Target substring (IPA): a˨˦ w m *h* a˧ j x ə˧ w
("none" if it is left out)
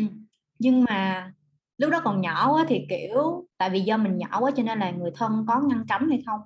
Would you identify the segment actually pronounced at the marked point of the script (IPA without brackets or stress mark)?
h